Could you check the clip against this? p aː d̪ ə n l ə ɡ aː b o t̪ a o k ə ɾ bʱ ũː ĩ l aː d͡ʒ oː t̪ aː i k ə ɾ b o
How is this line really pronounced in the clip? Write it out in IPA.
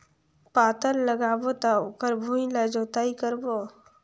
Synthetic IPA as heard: p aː t̪ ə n l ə ɡ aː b o t̪ a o k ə ɾ bʱ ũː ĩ l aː d͡ʒ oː t̪ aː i k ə ɾ b o